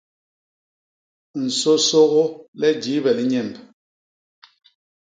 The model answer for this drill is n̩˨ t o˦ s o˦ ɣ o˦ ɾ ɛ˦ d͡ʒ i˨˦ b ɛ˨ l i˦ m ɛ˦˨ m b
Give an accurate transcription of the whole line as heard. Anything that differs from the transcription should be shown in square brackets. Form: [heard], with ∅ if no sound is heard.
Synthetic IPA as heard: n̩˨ [s] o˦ s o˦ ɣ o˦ [l] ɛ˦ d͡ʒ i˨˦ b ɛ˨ l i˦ [ɲ] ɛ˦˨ m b